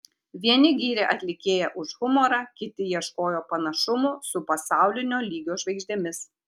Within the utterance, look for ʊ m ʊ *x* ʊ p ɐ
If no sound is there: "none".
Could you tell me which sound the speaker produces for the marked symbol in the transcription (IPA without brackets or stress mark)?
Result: s